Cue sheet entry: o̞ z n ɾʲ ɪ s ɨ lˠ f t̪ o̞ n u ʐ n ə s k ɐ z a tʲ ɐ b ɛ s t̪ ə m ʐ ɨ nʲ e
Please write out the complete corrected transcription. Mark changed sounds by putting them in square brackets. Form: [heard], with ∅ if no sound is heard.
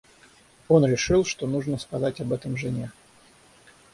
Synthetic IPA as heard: o̞ [∅] n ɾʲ ɪ [ʂ] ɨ lˠ [ʂ] t̪ o̞ n u ʐ n ə s k ɐ z a tʲ ɐ b ɛ [∅] t̪ ə m ʐ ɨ nʲ e